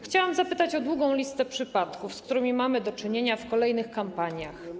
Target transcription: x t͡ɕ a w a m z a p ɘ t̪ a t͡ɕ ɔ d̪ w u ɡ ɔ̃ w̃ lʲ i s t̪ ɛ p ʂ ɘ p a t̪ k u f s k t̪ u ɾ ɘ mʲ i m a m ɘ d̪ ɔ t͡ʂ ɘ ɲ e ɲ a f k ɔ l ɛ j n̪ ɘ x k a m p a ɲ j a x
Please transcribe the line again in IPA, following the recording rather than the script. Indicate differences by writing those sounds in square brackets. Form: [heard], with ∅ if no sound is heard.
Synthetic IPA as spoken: x t͡ɕ a w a m z a p ɘ t̪ a t͡ɕ ɔ d̪ w u ɡ ɔ̃ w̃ lʲ i s t̪ ɛ p ʂ ɘ p a t̪ k u f s k t̪ u ɾ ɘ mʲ i m a m ɘ d̪ ɔ t͡ʂ ɘ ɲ e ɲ a f k ɔ l ɛ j n̪ ɘ x k a m p a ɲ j a x